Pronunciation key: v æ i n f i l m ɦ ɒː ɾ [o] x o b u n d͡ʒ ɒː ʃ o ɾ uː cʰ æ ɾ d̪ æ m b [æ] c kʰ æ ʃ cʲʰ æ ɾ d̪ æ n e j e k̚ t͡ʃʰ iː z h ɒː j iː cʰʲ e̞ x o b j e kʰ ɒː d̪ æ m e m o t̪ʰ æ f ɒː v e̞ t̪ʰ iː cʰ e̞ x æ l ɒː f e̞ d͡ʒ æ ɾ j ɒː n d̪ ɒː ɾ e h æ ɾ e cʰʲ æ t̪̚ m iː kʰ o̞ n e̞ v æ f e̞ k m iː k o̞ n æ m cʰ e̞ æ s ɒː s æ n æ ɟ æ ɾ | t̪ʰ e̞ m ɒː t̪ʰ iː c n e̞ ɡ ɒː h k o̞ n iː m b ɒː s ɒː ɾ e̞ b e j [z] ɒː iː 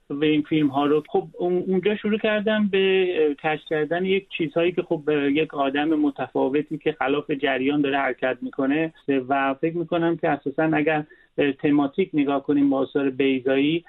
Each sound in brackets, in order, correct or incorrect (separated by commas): correct, incorrect, correct